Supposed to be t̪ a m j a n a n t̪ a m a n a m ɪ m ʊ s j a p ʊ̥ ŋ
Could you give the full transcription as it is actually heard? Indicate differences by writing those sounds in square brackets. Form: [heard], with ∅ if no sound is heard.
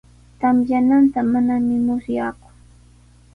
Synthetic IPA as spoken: t̪ a m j a n a n t̪ a m a n a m ɪ m ʊ s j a [k] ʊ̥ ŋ